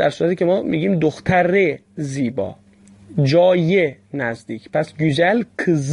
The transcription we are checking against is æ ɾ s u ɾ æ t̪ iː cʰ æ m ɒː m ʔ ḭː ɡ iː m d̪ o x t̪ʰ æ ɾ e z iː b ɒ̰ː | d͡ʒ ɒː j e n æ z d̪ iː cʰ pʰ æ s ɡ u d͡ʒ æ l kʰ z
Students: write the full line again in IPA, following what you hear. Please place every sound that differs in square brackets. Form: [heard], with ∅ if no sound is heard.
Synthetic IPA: æ ɾ s u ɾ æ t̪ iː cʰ [e] m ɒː m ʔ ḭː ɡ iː m d̪ o x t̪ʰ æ ɾ e z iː b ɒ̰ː | d͡ʒ ɒː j e n æ z d̪ iː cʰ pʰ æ s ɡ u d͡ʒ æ l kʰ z